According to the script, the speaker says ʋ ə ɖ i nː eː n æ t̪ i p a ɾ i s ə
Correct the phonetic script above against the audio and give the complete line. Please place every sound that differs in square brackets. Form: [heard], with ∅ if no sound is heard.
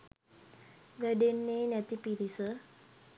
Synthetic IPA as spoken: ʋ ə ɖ [e] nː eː n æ t̪ i p [i] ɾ i s ə